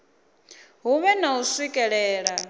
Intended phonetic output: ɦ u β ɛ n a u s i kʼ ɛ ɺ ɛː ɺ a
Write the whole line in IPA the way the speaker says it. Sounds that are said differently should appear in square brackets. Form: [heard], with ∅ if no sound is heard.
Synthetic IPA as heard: ɦ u β ɛ n a u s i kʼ ɛ ɺ ɛː ɺ a

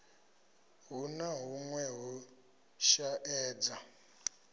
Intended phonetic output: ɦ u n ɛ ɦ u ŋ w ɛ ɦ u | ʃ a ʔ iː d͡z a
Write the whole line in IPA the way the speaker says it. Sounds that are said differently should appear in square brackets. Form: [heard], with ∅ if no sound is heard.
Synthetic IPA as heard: ɦ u n [a] ɦ u ŋ w ɛ ɦ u | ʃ a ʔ [ɛː] d͡z a

